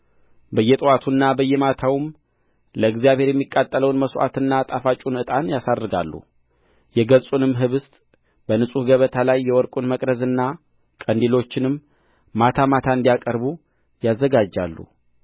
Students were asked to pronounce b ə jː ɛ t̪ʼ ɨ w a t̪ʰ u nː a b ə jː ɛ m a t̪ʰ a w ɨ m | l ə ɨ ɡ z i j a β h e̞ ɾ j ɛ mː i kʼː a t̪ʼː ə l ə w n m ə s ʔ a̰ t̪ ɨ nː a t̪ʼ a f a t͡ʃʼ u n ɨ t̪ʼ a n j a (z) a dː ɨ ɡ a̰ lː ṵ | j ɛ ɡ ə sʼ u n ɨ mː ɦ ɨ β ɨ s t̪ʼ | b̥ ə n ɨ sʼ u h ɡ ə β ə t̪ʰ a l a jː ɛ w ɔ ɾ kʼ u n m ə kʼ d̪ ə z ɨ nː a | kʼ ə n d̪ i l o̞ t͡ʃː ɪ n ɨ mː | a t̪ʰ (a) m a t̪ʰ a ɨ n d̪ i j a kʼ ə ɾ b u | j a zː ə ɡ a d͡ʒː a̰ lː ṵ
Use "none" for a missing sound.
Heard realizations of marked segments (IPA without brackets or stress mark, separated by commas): s, a